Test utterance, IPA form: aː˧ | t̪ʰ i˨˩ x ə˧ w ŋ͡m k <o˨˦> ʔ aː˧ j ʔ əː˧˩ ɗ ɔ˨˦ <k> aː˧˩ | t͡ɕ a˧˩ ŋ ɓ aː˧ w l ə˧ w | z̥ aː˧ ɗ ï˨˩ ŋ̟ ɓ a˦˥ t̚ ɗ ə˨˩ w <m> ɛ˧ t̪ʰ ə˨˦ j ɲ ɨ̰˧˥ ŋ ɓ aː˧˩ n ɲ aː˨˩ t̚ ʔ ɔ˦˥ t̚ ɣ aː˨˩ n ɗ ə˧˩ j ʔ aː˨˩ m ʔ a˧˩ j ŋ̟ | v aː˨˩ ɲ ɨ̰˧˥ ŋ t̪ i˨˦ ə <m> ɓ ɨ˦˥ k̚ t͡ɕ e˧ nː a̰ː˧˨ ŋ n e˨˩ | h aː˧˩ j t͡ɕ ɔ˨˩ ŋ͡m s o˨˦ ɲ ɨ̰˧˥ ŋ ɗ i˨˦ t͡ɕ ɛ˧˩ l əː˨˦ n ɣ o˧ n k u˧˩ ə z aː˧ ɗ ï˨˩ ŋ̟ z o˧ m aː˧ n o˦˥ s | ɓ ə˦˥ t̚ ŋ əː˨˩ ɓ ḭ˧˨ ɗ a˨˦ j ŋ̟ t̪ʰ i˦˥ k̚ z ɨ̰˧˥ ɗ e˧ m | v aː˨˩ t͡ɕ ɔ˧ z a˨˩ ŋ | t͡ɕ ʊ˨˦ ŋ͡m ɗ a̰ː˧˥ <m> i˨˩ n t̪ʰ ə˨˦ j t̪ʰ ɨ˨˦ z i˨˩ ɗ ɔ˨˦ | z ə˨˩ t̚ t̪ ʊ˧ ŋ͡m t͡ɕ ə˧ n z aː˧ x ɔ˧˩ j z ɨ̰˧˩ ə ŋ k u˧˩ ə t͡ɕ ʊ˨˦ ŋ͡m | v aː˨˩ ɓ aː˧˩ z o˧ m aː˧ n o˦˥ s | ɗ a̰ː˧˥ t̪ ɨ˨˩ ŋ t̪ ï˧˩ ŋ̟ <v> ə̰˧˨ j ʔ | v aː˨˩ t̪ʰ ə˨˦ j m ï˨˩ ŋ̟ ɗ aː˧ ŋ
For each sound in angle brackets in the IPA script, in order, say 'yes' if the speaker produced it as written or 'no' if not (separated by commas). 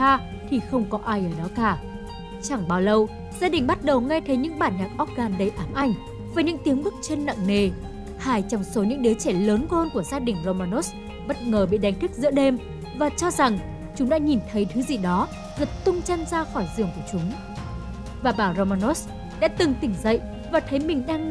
no, yes, no, no, no, no